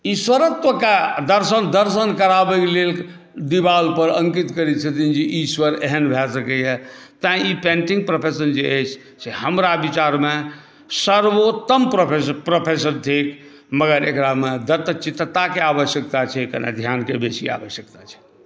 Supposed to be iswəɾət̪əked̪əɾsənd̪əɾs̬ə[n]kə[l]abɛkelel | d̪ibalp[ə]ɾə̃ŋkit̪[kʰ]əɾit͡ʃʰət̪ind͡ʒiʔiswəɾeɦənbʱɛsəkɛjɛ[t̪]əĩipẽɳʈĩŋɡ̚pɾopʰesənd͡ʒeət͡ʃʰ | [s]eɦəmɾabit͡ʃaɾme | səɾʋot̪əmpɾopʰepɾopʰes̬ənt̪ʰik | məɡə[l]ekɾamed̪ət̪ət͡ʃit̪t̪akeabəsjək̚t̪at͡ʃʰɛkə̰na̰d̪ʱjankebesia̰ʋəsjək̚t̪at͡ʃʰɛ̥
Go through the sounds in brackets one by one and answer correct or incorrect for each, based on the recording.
correct, incorrect: ɾ, correct, incorrect: k, correct, correct, incorrect: ɾ

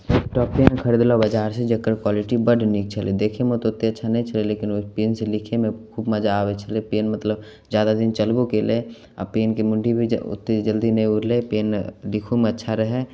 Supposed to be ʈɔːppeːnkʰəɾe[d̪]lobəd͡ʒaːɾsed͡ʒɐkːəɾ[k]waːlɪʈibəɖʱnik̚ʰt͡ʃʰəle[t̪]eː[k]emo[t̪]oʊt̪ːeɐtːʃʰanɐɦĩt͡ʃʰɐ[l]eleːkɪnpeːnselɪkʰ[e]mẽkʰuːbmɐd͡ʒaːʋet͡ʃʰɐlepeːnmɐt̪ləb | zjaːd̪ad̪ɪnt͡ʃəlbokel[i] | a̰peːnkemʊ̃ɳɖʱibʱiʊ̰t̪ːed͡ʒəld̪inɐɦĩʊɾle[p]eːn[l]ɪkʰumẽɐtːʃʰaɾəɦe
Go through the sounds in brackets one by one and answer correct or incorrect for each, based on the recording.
correct, correct, incorrect: d̪, incorrect: kʰ, correct, correct, correct, incorrect: e, correct, correct

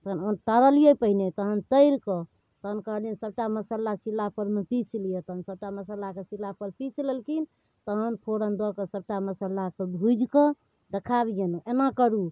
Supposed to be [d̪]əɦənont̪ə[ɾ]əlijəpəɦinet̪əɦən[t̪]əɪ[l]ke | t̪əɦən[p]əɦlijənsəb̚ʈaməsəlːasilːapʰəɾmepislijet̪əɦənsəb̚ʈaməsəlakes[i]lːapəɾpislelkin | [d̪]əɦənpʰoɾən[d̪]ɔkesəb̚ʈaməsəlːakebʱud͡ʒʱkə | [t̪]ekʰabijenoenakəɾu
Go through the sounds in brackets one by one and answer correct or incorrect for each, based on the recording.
incorrect: t̪, correct, correct, incorrect: ɾ, incorrect: k, correct, incorrect: t̪, correct, incorrect: d̪

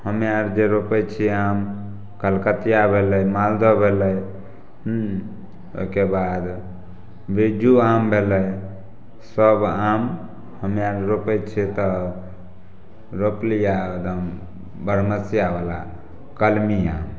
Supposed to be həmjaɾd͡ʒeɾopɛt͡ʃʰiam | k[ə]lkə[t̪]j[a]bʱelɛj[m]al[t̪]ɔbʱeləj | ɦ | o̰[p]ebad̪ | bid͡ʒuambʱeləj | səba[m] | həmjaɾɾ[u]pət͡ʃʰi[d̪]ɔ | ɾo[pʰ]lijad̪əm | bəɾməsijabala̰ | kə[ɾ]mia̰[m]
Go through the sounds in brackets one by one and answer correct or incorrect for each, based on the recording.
correct, correct, correct, correct, incorrect: d̪, incorrect: k, correct, incorrect: o, incorrect: t̪, incorrect: p, incorrect: l, correct

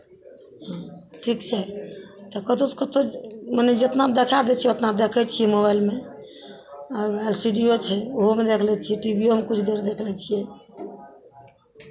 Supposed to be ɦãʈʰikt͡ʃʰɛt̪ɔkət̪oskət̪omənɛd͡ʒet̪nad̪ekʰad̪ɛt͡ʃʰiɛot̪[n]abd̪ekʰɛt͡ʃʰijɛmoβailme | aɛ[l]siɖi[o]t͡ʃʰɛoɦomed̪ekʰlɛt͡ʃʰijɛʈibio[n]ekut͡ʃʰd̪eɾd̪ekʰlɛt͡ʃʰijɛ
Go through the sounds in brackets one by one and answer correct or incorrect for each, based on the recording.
correct, correct, correct, incorrect: m

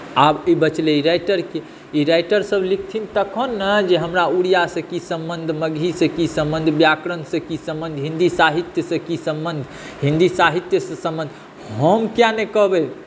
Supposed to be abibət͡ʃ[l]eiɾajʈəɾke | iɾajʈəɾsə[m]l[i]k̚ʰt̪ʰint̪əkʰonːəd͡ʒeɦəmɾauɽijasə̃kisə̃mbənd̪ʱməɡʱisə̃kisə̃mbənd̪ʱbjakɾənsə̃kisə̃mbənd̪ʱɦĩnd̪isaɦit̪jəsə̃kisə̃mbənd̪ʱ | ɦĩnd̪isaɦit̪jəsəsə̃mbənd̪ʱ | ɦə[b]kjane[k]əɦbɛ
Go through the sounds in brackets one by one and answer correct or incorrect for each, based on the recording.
correct, incorrect: b, correct, incorrect: m, correct

